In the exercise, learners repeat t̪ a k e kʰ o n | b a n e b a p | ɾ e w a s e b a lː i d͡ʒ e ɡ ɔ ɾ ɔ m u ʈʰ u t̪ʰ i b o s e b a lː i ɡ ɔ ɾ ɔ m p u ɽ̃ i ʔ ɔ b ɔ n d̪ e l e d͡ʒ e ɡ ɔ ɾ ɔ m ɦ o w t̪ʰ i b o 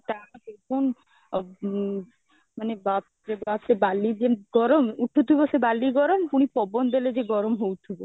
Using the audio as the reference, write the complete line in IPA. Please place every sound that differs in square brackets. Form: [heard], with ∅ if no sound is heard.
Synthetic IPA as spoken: t̪ a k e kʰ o n | [m] a n e b a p | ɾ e [b] a s e b a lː i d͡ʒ e ɡ ɔ ɾ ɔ m u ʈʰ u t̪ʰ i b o s e b a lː i ɡ ɔ ɾ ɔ m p u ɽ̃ i [p] ɔ b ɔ n d̪ e l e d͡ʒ e ɡ ɔ ɾ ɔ m ɦ o w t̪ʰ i b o